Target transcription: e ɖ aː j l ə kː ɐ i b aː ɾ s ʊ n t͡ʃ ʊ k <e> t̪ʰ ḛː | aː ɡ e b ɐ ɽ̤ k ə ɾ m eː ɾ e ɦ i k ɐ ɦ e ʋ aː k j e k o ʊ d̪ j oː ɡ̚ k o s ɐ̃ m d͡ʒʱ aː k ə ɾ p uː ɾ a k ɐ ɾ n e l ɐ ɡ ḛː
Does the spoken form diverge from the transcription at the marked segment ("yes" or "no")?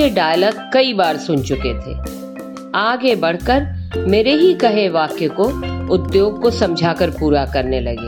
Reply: no